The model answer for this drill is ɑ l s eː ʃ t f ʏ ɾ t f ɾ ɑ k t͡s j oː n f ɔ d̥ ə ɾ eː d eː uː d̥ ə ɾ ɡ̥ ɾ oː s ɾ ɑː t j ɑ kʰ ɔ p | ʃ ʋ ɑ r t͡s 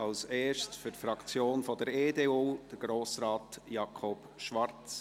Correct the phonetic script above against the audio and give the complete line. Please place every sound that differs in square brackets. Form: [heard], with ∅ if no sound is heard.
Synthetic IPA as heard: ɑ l s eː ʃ t f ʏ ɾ t f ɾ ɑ k t͡s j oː n f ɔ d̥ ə ɾ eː d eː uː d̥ ə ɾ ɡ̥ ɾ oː s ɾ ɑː t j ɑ kʰ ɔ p | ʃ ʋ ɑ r t͡s